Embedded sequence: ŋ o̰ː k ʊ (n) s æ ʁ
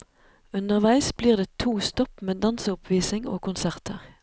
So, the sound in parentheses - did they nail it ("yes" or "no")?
yes